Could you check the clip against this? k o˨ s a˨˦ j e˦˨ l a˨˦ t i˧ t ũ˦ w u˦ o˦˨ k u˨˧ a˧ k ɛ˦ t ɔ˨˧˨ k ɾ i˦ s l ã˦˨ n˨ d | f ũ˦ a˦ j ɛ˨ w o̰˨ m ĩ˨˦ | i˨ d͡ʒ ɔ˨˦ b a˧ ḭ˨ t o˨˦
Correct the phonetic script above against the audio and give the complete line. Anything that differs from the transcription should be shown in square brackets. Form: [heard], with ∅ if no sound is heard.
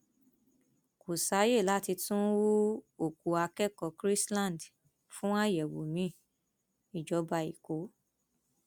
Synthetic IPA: k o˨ s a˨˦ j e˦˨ l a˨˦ t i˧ t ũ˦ w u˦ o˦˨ k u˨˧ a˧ k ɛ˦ [k] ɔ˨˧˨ k ɾ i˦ s l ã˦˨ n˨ d | f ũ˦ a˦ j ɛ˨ w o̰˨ m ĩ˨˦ | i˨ d͡ʒ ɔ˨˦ b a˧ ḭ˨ [k] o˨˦